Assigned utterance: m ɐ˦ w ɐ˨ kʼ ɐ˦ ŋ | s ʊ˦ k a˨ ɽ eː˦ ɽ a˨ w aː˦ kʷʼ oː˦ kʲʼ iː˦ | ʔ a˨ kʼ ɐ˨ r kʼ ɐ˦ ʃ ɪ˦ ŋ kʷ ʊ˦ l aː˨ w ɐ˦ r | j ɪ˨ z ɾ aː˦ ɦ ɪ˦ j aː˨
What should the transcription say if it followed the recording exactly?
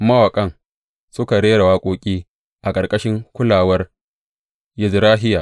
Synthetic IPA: m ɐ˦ w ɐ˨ kʼ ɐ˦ ŋ | s ʊ˦ k a˨ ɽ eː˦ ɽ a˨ w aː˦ kʷʼ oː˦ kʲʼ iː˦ | ʔ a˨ kʼ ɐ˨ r kʼ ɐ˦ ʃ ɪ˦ ŋ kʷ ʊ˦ l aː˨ w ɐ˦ r | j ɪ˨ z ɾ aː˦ ɦ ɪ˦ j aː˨